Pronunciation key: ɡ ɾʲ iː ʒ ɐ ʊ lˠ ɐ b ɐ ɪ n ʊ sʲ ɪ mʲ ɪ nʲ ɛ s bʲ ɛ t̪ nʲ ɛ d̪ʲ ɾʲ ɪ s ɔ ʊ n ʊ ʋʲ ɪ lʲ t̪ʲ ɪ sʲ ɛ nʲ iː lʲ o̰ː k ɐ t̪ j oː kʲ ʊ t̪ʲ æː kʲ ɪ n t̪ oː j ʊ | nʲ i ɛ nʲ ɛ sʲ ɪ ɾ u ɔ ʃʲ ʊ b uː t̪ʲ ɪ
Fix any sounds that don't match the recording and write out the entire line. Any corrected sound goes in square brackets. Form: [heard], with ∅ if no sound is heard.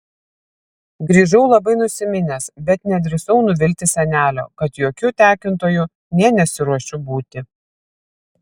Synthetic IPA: ɡ ɾʲ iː ʒ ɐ ʊ lˠ ɐ b ɐ ɪ n ʊ sʲ ɪ mʲ ɪ nʲ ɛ s bʲ ɛ t̪ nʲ ɛ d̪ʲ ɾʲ ɪ s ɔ ʊ n ʊ ʋʲ ɪ lʲ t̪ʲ ɪ sʲ ɛ nʲ [æː] lʲ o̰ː k ɐ t̪ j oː kʲ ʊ t̪ʲ æː kʲ ɪ n t̪ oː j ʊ | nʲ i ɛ nʲ ɛ sʲ ɪ ɾ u ɔ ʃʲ ʊ b uː t̪ʲ ɪ